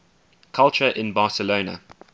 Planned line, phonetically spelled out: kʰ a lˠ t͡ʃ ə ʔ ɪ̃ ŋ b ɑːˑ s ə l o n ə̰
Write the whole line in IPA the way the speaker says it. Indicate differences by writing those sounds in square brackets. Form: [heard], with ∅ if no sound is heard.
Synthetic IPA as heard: kʰ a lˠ t͡ʃ ə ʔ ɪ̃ [n] b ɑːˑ s ə l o n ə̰